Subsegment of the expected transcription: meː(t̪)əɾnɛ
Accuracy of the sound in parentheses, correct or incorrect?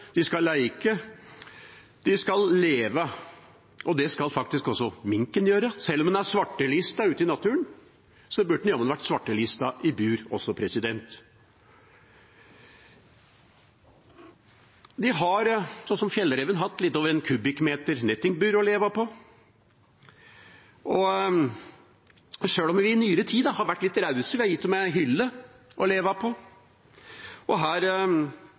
correct